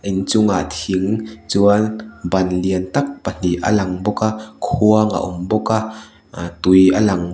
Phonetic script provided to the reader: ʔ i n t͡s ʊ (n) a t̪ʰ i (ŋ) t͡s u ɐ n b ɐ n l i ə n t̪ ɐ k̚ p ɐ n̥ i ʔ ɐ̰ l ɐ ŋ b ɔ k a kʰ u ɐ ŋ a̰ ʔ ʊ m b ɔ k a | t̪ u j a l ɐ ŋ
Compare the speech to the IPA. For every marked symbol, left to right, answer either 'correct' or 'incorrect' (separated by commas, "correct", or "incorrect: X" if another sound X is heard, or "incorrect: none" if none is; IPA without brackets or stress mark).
incorrect: ŋ, correct